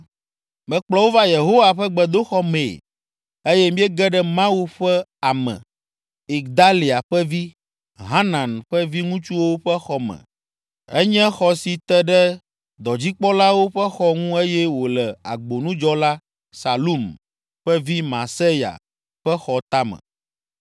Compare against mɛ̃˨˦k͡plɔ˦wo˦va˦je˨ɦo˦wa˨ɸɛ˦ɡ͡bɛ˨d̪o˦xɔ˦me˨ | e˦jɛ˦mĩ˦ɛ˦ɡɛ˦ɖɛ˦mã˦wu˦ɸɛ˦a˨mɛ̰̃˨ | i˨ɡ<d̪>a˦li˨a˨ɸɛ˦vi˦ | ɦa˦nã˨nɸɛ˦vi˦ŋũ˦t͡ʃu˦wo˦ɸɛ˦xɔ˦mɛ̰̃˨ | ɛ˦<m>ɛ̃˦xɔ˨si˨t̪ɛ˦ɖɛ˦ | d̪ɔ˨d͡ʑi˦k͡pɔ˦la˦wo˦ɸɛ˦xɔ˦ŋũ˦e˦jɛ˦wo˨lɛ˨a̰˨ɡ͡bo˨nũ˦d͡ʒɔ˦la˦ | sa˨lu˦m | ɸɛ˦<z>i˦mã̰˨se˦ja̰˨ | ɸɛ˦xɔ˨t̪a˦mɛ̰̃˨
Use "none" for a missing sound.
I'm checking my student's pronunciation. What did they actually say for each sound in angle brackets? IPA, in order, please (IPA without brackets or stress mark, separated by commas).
d̪, ɲ, v